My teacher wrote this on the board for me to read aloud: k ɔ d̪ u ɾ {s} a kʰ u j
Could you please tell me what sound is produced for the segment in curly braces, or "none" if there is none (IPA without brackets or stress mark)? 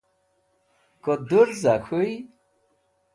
z